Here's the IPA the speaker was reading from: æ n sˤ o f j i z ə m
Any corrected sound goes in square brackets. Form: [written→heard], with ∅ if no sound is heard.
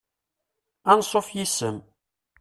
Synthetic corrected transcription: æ n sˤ o f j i [z→s] ə m